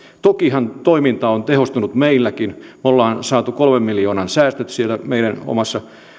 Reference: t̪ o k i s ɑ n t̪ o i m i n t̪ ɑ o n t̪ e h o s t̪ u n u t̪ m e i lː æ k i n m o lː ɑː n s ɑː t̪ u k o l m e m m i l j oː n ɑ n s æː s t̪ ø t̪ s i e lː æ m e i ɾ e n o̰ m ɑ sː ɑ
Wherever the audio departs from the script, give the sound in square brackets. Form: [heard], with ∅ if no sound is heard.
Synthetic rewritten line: t̪ o k i [h] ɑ n t̪ o i m i n t̪ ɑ o n t̪ e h o s t̪ u n u t̪ m e i lː æ k i n m o lː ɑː n s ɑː t̪ u k o l m e m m i l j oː n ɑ n s æː s t̪ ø t̪ s i e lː æ m e i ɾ [æ] n o̰ m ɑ sː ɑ